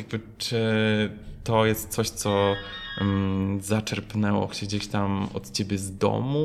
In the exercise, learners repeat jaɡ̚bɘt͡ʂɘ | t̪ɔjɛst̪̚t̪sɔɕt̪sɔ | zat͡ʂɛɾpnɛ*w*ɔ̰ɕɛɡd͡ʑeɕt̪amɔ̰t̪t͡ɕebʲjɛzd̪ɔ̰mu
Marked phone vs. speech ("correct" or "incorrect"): correct